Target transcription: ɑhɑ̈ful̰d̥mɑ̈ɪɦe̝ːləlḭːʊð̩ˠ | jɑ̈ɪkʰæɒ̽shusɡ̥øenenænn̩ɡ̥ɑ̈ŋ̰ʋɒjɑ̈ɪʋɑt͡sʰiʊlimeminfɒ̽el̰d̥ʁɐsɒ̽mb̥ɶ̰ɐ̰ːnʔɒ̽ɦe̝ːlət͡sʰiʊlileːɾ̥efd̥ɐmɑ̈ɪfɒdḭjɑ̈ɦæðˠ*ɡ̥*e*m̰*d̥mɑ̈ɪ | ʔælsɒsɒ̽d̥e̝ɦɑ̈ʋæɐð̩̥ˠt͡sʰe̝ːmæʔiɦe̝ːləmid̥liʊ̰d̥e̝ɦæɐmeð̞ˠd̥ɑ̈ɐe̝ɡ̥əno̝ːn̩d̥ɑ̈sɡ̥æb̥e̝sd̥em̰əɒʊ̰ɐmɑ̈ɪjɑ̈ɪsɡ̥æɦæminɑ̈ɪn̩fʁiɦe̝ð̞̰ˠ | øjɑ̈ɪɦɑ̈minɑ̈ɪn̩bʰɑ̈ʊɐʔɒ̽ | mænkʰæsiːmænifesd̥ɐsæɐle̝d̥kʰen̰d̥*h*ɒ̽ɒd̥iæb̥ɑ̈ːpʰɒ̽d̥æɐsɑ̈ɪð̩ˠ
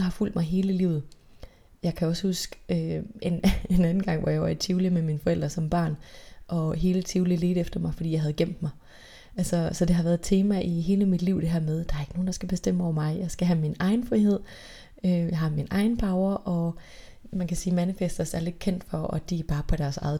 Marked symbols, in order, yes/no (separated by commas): yes, yes, no